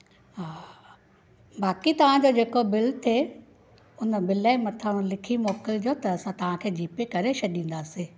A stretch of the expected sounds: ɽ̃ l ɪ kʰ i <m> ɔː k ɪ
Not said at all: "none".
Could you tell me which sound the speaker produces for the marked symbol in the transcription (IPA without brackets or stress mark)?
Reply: m